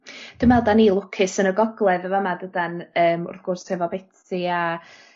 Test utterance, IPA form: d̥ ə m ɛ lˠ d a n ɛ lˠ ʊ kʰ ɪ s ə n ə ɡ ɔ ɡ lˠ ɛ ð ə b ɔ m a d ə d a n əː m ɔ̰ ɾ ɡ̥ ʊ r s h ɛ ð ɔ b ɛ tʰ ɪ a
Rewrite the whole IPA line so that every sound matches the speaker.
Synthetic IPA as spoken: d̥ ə m ɛ lˠ d a n i lˠ ʊ kʰ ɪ s ə n ə ɡ ɔ ɡ lˠ ɛ ð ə v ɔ m a d ə d a n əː m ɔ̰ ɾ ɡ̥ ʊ r s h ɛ v ɔ b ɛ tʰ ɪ a